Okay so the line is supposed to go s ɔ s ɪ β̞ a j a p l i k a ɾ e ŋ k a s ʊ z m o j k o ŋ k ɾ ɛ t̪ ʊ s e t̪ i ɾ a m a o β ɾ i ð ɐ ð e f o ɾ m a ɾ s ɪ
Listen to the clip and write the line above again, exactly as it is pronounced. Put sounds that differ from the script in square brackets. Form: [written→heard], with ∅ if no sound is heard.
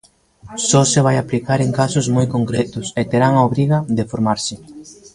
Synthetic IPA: s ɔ s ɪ β̞ a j a p l i k a ɾ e ŋ k a s ʊ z m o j k o ŋ k ɾ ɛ t̪ ʊ s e t̪ [i→e] ɾ a [m→ŋ] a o β ɾ i [ð→ɣ] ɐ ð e f o ɾ m a ɾ s ɪ

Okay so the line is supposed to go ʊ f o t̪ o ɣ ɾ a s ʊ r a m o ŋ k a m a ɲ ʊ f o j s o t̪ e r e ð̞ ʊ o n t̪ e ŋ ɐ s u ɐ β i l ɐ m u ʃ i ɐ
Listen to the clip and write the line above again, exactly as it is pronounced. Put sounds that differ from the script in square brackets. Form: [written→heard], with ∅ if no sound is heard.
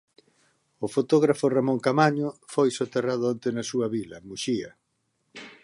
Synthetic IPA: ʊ f o t̪ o ɣ ɾ a [s→f] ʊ r a m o ŋ k a m a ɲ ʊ f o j s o t̪ e r [e→a] ð̞ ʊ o n t̪ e [ŋ→n] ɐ s u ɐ β i l ɐ m u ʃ i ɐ

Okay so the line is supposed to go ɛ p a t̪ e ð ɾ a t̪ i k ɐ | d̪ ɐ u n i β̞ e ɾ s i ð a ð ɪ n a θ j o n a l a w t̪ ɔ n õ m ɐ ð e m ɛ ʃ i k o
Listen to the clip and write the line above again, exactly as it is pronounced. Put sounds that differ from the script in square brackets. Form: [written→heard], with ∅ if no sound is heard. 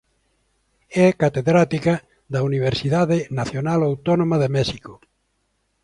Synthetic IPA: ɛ [p→k] a t̪ e ð ɾ a t̪ i k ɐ | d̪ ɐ u n i β̞ e ɾ s i ð a ð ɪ n a θ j o n a l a w t̪ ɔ n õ m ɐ ð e m ɛ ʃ i k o

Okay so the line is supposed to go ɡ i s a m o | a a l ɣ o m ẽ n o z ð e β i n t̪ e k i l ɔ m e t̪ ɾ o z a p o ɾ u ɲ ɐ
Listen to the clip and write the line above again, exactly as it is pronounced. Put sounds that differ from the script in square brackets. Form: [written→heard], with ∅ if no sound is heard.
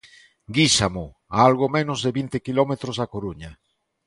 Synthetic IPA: ɡ i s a m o | a a l ɣ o m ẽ n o z ð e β i n t̪ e k i l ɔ m e t̪ ɾ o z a [p→k] o ɾ u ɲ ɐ

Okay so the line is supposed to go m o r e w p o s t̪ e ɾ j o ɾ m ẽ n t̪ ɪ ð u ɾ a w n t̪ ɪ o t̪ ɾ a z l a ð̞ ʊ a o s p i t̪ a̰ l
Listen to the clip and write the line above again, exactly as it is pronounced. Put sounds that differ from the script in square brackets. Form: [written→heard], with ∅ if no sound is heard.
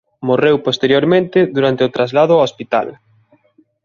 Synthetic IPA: m o r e w p o s t̪ e ɾ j o ɾ m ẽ n t̪ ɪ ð u ɾ a [w→∅] n t̪ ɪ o t̪ ɾ a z l a ð̞ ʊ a o s p i t̪ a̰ l

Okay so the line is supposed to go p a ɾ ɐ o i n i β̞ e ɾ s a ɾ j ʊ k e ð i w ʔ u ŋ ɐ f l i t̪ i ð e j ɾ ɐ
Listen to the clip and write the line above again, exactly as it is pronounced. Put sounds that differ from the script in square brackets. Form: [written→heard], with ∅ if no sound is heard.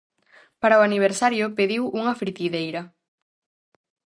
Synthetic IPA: p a ɾ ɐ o [i→a] n i β̞ e ɾ s a ɾ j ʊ [k→p] e ð i w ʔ u ŋ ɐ f [l→ɾ] i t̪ i ð e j ɾ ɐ

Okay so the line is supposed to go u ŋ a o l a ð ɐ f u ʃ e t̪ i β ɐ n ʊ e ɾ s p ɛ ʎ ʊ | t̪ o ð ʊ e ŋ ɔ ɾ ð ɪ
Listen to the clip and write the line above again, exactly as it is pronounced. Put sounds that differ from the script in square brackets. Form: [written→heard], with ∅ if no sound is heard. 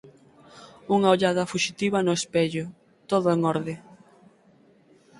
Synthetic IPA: u ŋ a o [l→ʎ] a ð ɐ f u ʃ [e→i] t̪ i β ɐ n ʊ e [ɾ→∅] s p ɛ ʎ ʊ | t̪ o ð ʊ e ŋ ɔ ɾ ð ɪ

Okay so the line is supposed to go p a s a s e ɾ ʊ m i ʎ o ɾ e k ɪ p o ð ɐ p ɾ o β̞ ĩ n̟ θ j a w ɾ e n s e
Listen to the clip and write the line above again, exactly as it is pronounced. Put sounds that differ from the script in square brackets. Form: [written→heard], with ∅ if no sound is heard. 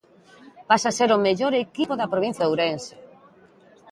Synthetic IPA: p a s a s e ɾ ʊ m [i→e] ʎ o ɾ e k [ɪ→i] p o ð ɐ p ɾ o β̞ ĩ n̟ θ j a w ɾ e n s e

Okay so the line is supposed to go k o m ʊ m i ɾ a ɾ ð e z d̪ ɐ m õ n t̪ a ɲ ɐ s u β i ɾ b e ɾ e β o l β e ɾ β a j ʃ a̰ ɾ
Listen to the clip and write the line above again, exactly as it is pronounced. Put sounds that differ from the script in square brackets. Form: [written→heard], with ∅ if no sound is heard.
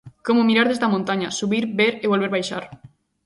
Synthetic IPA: k o m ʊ m i ɾ a ɾ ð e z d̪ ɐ m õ n t̪ a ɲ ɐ s u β i ɾ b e ɾ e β o l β e ɾ β a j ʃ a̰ ɾ

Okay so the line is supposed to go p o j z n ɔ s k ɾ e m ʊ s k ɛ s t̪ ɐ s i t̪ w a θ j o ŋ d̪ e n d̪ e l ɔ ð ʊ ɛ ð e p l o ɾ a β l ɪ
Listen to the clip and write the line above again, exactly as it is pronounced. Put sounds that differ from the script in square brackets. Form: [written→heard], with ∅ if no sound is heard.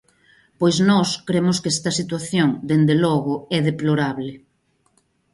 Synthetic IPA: p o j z n ɔ s k ɾ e m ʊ s k ɛ s t̪ ɐ s i t̪ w a θ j o ŋ d̪ e n d̪ e l ɔ [ð→ɣ] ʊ ɛ ð e p l o ɾ a β l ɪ

